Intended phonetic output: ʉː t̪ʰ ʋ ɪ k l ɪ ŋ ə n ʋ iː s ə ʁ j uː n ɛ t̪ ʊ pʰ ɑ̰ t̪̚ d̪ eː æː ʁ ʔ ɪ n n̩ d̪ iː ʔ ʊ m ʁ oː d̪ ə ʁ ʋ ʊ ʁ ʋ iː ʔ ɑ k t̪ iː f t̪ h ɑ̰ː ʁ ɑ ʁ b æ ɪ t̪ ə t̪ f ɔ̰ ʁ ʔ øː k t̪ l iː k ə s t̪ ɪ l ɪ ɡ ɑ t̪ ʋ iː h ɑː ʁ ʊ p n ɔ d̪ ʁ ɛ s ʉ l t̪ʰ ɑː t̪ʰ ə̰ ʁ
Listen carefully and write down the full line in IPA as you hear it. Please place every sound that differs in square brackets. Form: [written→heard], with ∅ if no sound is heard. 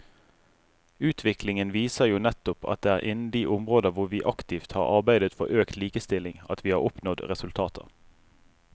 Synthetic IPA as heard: ʉː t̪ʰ ʋ ɪ k l ɪ ŋ ə n ʋ iː s ə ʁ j uː n ɛ t̪ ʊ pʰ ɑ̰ t̪̚ d̪ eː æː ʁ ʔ ɪ n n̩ d̪ iː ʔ ʊ m ʁ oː d̪ ə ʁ ʋ ʊ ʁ ʋ iː ʔ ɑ k t̪ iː f t̪ h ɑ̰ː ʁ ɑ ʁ b æ ɪ [t̪→d̪] ə t̪ f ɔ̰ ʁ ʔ øː k t̪ l iː k ə s t̪ ɪ l ɪ [ɡ→ŋ] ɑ t̪ ʋ iː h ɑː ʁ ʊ p n ɔ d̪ ʁ ɛ s ʉ l t̪ʰ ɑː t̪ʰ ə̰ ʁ

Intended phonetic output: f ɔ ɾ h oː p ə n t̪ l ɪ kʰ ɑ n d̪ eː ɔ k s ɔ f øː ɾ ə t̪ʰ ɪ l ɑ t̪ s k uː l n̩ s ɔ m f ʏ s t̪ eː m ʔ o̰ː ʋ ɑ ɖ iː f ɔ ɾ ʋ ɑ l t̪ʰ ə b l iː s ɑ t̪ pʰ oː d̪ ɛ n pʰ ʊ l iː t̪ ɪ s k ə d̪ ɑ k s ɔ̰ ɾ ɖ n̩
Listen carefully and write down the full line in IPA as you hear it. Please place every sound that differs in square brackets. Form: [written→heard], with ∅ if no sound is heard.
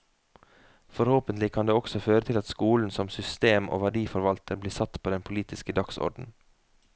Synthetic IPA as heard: f ɔ ɾ h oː p ə n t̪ l ɪ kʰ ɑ n d̪ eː ɔ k s ɔ f øː ɾ ə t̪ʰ ɪ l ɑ t̪ s k uː l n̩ s ɔ m [f→s] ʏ s t̪ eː m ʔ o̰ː ʋ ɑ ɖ iː f ɔ ɾ ʋ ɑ l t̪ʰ ə b l iː s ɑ t̪ pʰ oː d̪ ɛ n pʰ ʊ l iː t̪ ɪ s k ə d̪ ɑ k s ɔ̰ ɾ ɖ n̩

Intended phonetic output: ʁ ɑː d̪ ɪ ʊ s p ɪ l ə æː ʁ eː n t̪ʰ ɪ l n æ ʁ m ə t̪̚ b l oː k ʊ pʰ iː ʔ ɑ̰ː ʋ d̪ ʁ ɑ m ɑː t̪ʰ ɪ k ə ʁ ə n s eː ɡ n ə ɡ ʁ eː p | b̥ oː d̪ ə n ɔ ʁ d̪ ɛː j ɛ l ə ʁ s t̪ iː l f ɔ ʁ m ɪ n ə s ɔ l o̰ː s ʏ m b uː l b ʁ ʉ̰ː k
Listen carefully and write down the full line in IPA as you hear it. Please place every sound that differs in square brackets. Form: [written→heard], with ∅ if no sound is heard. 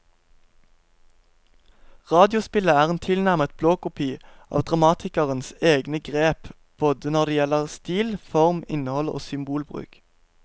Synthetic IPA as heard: ʁ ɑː d̪ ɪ ʊ s p ɪ l ə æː ʁ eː n t̪ʰ ɪ l n æ ʁ m ə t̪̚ b l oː k ʊ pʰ iː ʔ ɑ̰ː ʋ d̪ ʁ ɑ m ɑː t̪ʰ ɪ k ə ʁ ə n s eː ɡ n ə ɡ ʁ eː p | b̥ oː d̪ ə n ɔ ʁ d̪ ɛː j ɛ l ə ʁ s t̪ iː l f ɔ ʁ m ɪ n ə [s→h] ɔ l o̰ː s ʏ m b uː l b ʁ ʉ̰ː k

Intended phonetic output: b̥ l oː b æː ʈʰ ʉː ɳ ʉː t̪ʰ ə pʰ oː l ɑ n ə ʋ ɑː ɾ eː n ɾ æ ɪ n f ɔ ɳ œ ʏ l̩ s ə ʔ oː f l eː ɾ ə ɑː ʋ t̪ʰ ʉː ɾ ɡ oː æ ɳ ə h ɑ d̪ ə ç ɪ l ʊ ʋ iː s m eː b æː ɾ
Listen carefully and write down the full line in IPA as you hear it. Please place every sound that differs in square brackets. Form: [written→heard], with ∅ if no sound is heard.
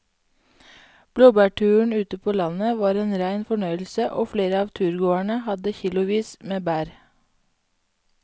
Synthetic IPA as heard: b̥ l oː b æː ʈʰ ʉː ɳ ʉː [t̪ʰ→t̪] ə pʰ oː l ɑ n ə ʋ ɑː ɾ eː n ɾ æ ɪ n f ɔ ɳ œ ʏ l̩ s ə ʔ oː f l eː ɾ ə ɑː ʋ t̪ʰ ʉː ɾ ɡ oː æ ɳ ə h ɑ d̪ ə ç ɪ l ʊ ʋ iː s m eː b æː ɾ

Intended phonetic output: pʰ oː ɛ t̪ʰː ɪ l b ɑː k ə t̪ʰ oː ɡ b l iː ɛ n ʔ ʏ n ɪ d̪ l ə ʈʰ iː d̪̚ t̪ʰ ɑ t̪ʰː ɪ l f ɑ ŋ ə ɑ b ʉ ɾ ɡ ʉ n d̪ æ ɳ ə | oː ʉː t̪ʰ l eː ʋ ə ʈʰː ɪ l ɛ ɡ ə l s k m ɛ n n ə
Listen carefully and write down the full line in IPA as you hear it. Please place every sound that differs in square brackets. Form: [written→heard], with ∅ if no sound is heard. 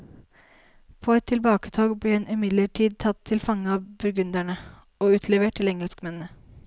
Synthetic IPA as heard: pʰ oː ɛ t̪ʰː ɪ l b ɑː k ə t̪ʰ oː ɡ b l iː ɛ n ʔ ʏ [n→m] ɪ d̪ l ə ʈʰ iː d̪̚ t̪ʰ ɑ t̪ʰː ɪ l f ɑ ŋ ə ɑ b ʉ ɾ ɡ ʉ n d̪ æ ɳ ə | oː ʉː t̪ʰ l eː ʋ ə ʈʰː ɪ l ɛ [ɡ→ŋ] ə l s k m ɛ n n ə

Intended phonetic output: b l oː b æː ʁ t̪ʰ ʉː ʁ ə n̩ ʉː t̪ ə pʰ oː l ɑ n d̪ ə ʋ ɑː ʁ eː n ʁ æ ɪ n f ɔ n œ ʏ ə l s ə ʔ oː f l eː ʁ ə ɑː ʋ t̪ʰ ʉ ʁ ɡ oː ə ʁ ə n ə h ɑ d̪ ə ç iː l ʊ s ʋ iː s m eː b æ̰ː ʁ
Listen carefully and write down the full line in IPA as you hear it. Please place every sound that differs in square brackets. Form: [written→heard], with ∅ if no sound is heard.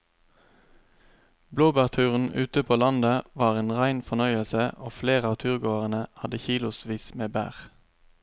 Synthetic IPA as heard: b l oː b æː ʁ t̪ʰ ʉː ʁ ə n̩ ʉː t̪ ə pʰ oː l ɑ n d̪ ə ʋ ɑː ʁ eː n ʁ æ ɪ n f ɔ n œ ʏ ə l s ə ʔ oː f l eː ʁ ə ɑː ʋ t̪ʰ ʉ ʁ ɡ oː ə ʁ ə n ə h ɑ d̪ ə ç iː l ʊ s ʋ iː s m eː b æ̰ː ʁ

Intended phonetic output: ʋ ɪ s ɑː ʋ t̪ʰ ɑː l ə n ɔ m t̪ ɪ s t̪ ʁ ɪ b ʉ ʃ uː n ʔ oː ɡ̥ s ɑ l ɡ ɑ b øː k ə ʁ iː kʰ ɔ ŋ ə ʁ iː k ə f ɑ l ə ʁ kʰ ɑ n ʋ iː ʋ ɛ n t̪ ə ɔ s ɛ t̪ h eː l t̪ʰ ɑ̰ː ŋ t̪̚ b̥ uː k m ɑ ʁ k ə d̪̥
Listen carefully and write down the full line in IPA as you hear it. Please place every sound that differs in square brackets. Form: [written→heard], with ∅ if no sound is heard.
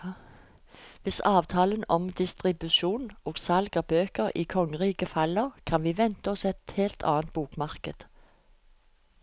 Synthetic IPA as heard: ʋ ɪ s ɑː ʋ t̪ʰ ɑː l ə n ɔ m [t̪→d̪] ɪ s t̪ ʁ ɪ b ʉ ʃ uː n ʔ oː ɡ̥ s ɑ l ɡ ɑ b øː k ə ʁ iː kʰ ɔ ŋ ə ʁ iː k ə f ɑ l ə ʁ kʰ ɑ n ʋ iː ʋ ɛ n t̪ ə ɔ s ɛ t̪ h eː l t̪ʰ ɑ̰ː [ŋ→n] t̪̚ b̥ uː k m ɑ ʁ k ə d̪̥

